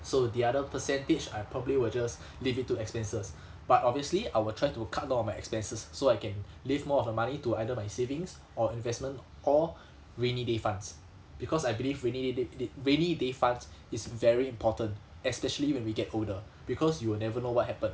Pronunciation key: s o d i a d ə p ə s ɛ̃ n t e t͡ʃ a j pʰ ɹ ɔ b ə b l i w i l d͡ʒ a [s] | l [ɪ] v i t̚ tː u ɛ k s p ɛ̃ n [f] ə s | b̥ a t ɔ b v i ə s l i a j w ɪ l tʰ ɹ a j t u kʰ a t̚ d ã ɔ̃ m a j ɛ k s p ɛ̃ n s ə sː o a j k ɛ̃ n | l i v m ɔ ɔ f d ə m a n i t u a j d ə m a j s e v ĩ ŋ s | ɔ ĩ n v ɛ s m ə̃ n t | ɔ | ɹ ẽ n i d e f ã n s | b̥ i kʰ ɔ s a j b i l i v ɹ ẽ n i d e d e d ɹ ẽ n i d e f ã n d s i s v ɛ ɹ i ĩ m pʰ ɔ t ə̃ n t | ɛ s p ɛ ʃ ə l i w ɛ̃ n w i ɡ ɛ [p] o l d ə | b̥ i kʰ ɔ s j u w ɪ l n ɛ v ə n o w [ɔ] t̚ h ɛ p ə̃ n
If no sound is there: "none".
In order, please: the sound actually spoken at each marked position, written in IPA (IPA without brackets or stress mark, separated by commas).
s, i, s, t, ɔ